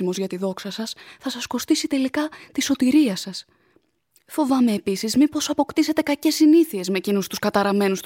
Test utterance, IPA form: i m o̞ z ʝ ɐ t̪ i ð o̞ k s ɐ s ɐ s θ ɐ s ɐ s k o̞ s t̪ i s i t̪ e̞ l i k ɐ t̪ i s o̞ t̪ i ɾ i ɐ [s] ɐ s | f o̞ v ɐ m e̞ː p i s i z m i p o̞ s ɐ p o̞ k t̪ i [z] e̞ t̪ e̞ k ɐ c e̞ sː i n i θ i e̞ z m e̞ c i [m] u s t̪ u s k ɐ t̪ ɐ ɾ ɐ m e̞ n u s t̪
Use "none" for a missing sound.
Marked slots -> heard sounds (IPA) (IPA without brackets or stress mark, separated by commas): s, s, n